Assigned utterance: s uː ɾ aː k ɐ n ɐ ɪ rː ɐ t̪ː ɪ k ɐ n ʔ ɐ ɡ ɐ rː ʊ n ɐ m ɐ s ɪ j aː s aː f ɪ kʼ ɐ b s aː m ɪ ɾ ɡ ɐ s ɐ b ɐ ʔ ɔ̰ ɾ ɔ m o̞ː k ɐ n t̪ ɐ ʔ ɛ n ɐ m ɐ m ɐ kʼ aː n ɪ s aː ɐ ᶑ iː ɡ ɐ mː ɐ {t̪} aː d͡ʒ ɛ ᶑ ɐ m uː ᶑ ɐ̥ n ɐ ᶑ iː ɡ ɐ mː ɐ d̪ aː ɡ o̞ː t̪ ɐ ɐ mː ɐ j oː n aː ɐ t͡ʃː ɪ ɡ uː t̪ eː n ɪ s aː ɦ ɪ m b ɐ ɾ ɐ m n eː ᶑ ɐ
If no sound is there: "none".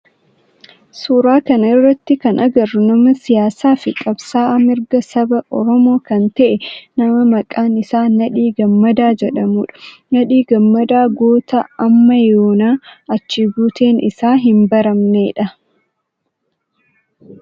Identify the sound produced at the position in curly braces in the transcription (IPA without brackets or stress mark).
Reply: d̪